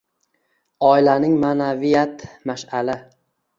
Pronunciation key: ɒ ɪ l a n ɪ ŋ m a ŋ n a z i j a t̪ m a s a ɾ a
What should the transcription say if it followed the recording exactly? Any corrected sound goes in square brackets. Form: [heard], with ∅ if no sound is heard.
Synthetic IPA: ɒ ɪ l a n ɪ ŋ m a [∅] n a [v] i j a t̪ m a [ʃ] a [l] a